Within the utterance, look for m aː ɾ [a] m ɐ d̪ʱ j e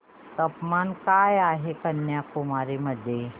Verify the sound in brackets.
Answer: incorrect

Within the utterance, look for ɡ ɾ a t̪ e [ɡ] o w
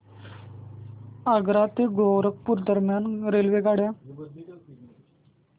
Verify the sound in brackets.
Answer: correct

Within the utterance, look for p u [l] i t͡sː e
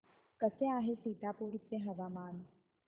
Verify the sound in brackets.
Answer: incorrect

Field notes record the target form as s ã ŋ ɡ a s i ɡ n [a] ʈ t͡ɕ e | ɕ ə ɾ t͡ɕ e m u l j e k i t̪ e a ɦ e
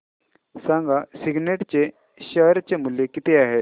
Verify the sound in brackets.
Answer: incorrect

